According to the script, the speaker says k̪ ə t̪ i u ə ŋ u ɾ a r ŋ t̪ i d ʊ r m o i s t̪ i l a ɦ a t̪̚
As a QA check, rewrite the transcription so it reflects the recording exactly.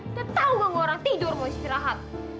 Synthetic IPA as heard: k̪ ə t̪ a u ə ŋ o ɾ a ŋ t̪ i d ʊ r m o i s t̪ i ɾ a ɦ a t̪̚